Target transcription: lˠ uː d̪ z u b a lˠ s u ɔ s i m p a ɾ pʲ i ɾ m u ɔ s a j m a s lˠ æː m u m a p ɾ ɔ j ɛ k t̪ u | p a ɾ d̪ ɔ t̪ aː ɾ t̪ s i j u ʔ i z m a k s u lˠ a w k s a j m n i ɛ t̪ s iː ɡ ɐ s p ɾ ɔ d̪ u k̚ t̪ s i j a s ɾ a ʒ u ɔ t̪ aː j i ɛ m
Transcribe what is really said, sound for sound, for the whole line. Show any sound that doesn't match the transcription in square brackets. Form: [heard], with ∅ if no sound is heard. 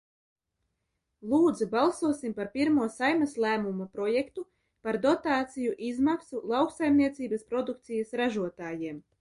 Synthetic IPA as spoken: lˠ uː d̪ z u b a lˠ s u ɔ s i m p a ɾ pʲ i ɾ m u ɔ s a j m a s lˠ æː m u m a p ɾ ɔ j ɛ k t̪ u | p a ɾ d̪ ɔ t̪ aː [∅] t̪ s i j u ʔ i z m a k s u lˠ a w k s a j m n i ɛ t̪ s iː [b] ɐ s p ɾ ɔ d̪ u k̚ t̪ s i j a s ɾ a ʒ u ɔ t̪ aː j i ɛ m